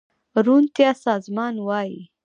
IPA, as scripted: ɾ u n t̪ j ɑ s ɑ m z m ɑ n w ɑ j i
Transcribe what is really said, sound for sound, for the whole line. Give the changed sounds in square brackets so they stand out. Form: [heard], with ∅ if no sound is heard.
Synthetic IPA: ɾ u n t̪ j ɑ s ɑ [∅] z m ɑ n w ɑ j i